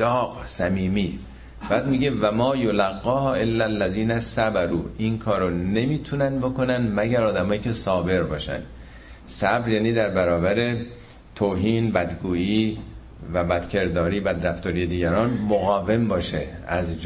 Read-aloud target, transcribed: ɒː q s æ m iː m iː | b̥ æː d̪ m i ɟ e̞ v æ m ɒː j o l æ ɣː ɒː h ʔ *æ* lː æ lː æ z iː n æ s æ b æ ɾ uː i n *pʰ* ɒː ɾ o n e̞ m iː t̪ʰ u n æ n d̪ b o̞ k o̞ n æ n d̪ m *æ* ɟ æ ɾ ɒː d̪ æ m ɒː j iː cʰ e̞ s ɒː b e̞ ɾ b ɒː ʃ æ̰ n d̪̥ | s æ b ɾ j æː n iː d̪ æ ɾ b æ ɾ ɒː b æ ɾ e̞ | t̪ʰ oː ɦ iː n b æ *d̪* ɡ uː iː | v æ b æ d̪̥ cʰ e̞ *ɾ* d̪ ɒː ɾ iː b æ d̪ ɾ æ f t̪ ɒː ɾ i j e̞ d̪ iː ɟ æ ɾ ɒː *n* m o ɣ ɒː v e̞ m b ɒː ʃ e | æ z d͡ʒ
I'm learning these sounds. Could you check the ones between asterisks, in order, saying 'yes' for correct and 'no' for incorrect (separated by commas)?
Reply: no, no, yes, yes, yes, yes